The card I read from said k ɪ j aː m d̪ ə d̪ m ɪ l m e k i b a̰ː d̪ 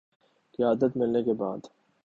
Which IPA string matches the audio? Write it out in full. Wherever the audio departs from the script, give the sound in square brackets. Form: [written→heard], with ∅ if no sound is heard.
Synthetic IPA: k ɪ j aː [m→∅] d̪ ə [d̪→t̪] m ɪ l [m→n] e k [i→e] b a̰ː d̪